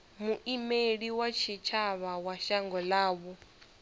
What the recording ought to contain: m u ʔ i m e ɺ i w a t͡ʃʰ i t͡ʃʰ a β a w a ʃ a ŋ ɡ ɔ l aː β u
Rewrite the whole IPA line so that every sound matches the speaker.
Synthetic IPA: m u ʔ i m e ɺ i w a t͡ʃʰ i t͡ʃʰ a β a w a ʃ a ŋ ɡ ɔ l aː β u